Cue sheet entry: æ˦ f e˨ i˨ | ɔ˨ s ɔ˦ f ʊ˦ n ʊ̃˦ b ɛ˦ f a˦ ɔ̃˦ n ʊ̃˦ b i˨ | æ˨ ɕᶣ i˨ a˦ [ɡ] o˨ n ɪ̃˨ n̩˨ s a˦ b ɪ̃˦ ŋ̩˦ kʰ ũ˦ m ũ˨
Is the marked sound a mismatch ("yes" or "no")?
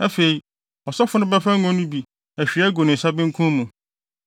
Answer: no